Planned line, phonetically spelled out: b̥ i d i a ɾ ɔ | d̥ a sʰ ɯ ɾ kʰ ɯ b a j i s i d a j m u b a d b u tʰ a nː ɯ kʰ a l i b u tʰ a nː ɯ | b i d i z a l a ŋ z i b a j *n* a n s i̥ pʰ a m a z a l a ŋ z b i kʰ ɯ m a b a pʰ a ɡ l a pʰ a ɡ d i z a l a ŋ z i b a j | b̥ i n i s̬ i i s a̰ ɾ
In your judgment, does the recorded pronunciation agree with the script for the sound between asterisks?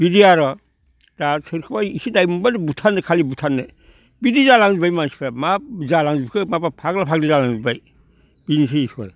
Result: no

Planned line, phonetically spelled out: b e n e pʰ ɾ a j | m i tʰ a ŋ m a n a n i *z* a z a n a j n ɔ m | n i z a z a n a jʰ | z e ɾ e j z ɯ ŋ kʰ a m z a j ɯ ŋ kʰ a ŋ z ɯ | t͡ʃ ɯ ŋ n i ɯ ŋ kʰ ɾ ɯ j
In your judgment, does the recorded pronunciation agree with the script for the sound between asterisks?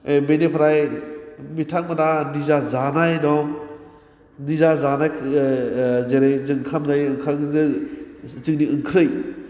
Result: yes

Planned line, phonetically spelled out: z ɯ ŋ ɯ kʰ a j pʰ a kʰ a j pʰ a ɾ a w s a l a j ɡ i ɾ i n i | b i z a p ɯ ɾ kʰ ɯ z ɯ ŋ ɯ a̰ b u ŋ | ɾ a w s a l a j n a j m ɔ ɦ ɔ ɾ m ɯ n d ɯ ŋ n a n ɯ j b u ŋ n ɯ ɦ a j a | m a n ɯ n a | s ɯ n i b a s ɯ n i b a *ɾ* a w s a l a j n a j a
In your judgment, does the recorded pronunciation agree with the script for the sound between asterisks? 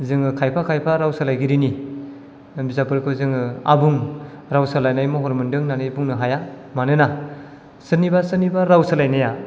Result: yes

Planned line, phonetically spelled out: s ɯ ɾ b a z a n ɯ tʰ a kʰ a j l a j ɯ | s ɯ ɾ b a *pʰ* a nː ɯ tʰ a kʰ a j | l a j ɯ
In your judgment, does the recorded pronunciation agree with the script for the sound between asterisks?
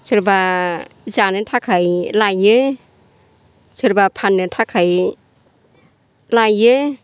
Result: yes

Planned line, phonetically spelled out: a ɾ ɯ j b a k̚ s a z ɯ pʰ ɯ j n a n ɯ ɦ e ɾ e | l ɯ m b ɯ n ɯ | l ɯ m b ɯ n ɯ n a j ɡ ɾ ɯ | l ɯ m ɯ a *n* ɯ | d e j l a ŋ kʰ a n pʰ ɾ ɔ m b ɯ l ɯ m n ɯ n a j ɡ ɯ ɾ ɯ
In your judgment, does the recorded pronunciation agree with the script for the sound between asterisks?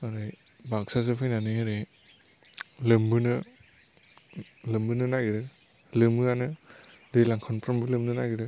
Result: yes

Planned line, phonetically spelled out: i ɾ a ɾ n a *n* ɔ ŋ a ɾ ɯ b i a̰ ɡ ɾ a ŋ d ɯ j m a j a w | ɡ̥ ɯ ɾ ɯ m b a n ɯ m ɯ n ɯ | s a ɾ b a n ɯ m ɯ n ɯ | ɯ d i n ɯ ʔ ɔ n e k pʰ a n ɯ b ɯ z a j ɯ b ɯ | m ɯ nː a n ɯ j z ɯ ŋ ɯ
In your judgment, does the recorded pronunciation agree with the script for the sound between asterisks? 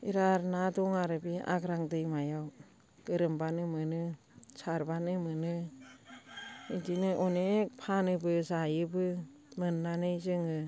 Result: no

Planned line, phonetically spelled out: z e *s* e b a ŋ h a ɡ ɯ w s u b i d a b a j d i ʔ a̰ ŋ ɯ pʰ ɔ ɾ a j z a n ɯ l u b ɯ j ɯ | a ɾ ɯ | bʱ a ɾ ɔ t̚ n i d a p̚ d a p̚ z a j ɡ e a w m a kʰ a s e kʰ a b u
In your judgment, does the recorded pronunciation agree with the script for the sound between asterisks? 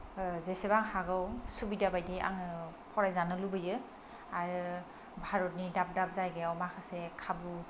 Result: yes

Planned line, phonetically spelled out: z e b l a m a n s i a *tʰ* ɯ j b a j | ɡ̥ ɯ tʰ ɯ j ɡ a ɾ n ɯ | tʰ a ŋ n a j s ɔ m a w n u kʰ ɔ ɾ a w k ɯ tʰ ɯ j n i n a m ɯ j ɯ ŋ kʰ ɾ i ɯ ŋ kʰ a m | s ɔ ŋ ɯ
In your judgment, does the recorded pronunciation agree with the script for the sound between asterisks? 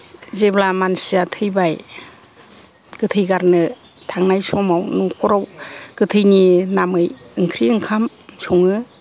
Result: yes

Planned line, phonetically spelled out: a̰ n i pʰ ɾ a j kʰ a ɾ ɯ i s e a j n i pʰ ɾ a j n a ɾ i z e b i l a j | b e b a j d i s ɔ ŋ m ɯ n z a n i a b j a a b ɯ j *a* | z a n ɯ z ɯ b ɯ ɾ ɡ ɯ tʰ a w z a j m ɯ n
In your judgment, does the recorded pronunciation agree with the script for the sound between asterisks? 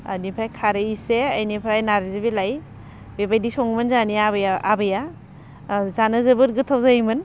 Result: yes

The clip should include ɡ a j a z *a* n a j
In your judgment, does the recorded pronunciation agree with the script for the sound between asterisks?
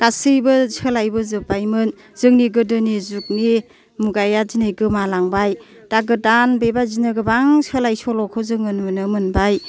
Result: no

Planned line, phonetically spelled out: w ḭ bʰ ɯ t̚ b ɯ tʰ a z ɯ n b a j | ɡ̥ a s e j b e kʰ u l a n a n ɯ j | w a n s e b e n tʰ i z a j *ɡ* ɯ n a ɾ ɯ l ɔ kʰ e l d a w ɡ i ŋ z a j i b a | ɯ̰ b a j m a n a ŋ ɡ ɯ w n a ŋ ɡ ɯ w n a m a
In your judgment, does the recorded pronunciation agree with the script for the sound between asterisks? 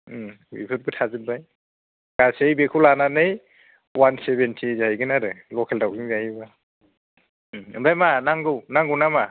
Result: yes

